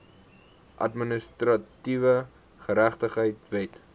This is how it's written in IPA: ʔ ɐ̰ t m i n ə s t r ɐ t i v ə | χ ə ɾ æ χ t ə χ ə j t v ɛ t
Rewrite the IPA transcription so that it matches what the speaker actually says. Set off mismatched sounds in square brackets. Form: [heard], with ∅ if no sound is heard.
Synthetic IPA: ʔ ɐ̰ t m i n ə s t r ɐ t i v ə | χ ə ɾ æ χ t ə χ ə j t v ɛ t